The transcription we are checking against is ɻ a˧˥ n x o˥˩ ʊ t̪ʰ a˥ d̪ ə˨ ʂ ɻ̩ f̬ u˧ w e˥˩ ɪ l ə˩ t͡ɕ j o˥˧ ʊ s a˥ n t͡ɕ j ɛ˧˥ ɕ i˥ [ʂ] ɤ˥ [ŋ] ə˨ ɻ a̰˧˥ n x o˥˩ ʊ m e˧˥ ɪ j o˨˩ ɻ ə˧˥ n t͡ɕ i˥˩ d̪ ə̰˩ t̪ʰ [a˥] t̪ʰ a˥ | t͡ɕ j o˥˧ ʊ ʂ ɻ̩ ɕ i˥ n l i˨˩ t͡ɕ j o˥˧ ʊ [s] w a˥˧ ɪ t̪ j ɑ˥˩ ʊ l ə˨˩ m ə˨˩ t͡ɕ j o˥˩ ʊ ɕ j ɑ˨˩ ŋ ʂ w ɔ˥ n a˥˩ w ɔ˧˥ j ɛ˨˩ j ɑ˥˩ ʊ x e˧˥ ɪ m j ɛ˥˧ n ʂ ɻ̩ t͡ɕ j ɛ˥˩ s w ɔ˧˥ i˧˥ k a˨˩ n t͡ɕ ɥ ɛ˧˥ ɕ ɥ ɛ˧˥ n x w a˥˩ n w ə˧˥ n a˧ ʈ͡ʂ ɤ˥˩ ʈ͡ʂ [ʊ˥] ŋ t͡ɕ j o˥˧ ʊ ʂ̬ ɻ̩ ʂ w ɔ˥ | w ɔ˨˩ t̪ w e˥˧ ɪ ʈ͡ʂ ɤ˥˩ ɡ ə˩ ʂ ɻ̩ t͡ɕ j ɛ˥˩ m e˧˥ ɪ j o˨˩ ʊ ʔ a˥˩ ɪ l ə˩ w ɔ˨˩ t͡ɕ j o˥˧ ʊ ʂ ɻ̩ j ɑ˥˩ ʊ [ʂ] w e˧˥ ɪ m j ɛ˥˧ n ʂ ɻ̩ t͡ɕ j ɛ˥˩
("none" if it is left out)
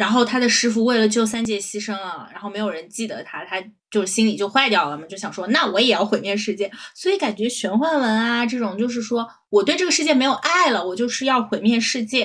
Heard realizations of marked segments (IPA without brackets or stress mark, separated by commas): ʂ, ŋ, a˥, x, ʊ˨˩, x